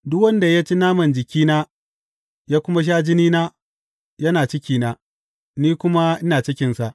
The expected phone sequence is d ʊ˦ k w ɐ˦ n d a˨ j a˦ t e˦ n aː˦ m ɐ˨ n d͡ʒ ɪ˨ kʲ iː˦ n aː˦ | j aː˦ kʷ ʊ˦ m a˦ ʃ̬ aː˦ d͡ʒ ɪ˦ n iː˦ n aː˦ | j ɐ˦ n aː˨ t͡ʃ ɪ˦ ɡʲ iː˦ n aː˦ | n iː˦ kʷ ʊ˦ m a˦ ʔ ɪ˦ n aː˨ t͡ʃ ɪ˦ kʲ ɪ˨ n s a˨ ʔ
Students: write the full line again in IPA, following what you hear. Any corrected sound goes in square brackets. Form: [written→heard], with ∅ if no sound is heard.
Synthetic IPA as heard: d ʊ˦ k w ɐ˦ n d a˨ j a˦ [t→t͡ʃ] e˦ n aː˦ m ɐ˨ n d͡ʒ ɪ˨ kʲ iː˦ n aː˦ | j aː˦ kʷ ʊ˦ m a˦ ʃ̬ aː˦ d͡ʒ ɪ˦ n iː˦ n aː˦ | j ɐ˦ n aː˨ t͡ʃ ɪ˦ [ɡʲ→kʲ] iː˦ n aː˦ | n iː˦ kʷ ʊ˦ m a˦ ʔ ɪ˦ n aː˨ t͡ʃ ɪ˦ kʲ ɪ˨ n s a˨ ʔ